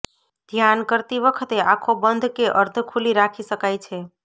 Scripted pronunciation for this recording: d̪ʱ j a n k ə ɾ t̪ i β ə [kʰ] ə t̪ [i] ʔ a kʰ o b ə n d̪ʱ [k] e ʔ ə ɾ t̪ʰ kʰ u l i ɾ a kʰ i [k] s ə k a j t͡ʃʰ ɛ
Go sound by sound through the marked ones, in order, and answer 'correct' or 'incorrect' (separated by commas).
correct, incorrect, correct, incorrect